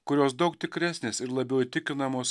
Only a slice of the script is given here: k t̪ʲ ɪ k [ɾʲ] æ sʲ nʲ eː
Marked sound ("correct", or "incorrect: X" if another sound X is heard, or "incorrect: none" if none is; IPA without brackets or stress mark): correct